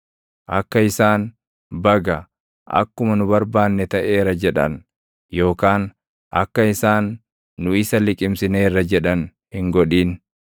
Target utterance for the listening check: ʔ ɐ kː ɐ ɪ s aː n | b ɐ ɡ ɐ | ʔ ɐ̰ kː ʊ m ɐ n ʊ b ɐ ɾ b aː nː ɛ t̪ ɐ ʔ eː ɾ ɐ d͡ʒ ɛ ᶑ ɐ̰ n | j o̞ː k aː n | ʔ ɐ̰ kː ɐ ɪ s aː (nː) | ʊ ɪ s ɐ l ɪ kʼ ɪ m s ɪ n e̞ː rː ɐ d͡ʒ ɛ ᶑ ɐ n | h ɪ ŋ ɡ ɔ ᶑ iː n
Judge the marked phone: correct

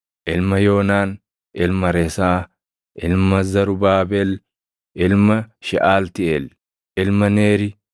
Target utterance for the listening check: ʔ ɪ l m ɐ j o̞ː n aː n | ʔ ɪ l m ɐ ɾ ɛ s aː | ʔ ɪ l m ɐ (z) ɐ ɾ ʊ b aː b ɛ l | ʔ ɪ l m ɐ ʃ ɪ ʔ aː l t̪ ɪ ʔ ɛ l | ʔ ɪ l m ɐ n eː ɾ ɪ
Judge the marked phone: correct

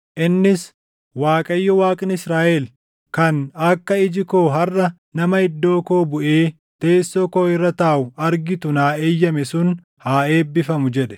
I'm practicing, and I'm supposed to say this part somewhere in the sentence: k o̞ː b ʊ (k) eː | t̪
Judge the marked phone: incorrect: ʔ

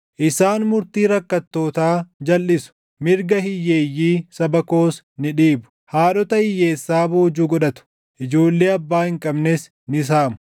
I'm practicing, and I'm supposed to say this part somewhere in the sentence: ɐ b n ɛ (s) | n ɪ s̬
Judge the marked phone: correct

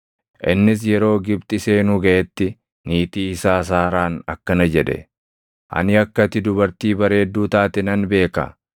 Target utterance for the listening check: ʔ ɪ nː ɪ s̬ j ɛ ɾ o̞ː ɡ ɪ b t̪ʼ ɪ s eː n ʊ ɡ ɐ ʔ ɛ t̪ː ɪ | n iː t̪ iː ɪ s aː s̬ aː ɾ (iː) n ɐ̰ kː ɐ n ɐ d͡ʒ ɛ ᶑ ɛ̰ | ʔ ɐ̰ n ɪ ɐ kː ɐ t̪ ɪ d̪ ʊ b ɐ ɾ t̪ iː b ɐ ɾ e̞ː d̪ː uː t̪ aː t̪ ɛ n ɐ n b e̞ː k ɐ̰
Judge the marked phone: incorrect: aː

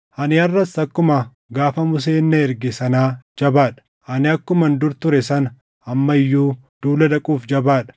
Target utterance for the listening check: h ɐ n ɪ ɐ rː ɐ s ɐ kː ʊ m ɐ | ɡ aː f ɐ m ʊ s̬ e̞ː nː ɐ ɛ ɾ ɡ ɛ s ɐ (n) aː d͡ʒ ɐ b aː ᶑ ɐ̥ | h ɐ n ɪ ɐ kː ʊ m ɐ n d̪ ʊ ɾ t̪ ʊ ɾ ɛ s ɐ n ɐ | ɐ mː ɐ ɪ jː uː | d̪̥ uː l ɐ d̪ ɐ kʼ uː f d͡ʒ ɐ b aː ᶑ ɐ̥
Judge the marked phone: correct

